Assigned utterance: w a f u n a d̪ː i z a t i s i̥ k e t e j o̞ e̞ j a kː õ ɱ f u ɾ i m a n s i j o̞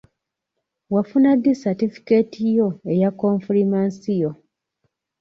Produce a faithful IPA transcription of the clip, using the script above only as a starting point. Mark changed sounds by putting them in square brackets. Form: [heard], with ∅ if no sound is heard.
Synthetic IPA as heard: w a f u n a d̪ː i [s] a t i [f] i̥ k e t [i] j o̞ e̞ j a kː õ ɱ f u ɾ i m a n s i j o̞